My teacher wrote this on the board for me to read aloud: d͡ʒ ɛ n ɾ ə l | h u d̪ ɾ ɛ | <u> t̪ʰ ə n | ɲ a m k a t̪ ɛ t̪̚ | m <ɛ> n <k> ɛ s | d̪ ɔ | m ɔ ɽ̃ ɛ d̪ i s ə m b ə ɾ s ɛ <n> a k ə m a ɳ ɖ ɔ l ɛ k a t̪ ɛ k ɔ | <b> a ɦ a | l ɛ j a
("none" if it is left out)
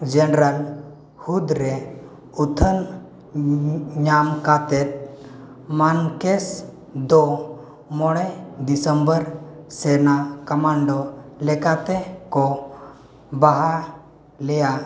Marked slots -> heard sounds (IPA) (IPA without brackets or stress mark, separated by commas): u, a, k, n, b